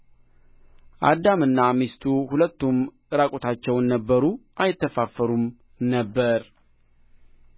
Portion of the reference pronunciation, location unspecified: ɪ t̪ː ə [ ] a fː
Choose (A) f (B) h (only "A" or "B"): A